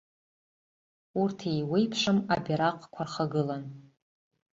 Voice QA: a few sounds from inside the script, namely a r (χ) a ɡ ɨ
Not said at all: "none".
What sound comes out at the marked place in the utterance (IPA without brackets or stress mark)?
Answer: χ